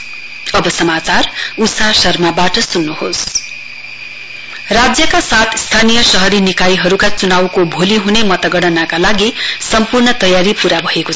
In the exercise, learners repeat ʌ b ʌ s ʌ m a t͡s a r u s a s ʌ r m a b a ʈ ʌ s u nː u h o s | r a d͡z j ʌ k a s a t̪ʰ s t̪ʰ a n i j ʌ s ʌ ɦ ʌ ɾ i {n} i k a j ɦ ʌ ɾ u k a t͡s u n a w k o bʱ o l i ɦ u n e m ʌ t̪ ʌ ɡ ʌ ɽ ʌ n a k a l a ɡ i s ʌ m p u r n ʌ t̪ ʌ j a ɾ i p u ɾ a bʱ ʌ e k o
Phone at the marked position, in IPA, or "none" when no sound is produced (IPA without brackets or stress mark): n